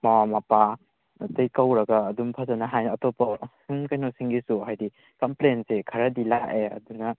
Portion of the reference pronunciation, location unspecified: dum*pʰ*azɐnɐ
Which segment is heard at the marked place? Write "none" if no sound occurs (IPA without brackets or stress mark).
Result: pʰ